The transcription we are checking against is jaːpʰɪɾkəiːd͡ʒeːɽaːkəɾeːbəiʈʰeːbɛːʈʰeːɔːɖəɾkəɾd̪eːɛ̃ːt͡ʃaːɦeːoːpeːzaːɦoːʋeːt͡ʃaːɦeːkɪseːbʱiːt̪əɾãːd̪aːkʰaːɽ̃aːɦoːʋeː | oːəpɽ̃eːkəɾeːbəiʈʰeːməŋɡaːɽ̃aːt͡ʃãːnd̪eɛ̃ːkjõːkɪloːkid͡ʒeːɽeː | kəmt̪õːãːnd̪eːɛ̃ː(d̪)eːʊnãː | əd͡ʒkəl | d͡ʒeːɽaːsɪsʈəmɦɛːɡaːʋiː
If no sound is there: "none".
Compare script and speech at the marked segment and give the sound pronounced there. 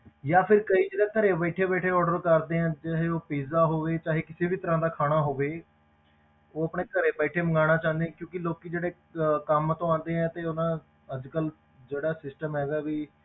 t̪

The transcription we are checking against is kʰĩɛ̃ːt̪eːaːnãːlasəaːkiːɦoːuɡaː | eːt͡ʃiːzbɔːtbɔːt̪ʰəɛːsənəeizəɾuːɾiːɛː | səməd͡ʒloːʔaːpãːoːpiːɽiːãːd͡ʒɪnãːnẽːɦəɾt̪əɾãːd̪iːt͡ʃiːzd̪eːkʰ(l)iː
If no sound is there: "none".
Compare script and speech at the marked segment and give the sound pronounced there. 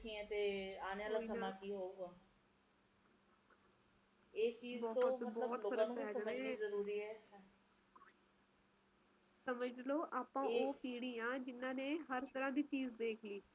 l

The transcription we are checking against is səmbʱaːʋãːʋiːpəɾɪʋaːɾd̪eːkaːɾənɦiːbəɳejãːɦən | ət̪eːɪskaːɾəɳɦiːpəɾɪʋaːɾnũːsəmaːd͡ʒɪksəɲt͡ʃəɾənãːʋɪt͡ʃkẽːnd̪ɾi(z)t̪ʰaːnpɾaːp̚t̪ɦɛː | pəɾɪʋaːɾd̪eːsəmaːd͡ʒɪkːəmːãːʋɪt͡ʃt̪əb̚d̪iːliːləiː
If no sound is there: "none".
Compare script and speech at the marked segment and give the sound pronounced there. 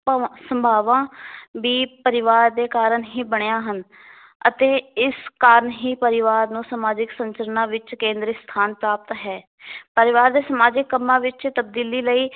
s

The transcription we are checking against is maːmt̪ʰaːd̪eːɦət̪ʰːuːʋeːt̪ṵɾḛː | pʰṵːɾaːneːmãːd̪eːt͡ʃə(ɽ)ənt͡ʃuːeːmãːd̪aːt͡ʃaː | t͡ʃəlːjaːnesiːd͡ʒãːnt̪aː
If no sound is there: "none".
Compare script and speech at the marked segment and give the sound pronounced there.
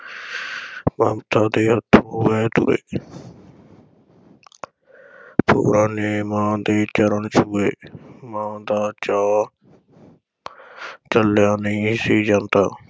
ɾ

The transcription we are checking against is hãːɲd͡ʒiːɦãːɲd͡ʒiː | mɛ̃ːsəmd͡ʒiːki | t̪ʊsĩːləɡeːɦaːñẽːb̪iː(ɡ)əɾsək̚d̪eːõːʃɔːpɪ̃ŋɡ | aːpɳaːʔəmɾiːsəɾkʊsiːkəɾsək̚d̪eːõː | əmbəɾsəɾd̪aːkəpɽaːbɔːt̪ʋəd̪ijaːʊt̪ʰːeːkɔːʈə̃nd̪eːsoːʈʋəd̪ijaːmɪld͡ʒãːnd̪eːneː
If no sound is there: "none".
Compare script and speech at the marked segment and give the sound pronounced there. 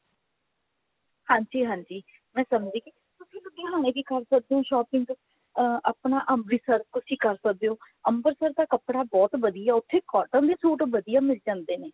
k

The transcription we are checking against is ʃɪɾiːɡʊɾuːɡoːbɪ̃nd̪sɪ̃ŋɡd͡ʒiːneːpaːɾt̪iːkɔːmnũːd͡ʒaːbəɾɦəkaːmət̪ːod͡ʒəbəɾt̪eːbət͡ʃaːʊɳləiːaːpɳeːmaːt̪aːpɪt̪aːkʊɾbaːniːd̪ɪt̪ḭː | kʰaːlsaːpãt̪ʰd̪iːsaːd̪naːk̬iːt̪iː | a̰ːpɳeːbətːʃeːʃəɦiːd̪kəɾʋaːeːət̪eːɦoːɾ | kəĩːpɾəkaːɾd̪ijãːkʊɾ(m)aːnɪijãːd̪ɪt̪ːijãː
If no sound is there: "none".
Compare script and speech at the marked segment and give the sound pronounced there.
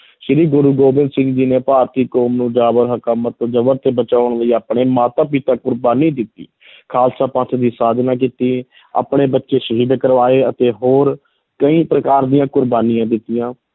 b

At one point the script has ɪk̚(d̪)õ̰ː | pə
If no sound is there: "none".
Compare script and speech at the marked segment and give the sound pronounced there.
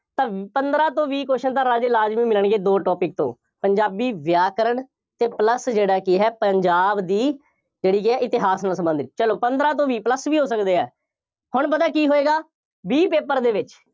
t̪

